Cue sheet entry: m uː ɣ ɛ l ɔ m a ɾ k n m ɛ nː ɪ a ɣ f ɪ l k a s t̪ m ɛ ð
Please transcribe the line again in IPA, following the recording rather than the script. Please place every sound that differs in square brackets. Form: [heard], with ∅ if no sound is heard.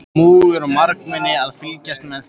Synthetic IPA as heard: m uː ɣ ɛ [ɾ] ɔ m a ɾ k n m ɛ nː ɪ a [ð] f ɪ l [c] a s t̪ m ɛ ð